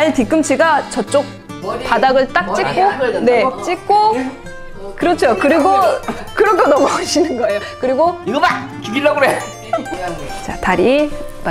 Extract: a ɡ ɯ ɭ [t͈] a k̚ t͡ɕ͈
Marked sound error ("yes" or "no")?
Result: no